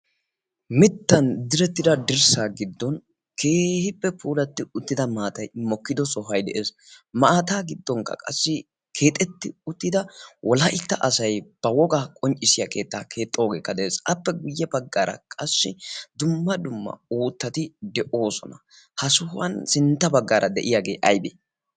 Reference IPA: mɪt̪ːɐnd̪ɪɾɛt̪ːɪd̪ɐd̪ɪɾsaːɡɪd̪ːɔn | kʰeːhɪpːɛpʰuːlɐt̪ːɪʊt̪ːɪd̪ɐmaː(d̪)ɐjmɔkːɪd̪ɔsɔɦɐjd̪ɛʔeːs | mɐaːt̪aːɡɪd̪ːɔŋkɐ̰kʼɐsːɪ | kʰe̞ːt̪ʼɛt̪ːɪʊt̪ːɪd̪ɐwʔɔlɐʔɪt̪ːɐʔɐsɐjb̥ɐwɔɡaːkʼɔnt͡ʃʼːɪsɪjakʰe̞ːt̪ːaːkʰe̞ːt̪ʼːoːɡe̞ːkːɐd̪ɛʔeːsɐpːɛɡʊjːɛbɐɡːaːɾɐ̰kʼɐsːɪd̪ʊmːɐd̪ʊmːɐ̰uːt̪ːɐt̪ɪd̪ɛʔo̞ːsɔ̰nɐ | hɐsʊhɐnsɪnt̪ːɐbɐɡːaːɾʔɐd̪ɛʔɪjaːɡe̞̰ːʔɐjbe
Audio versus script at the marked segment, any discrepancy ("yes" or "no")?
yes